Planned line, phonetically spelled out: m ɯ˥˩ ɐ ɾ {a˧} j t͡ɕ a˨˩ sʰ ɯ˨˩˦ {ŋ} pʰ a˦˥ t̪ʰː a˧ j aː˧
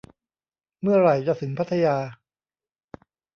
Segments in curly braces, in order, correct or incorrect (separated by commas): incorrect, correct